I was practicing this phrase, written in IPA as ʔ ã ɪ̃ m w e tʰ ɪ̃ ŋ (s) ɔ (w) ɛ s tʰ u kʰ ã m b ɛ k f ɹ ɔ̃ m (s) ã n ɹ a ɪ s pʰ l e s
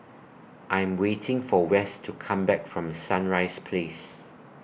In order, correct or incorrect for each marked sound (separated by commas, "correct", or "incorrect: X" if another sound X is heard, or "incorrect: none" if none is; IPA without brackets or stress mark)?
incorrect: f, correct, correct